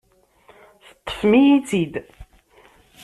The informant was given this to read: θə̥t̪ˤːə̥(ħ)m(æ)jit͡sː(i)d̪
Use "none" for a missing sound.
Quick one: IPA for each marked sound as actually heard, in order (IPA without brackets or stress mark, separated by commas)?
f, i, i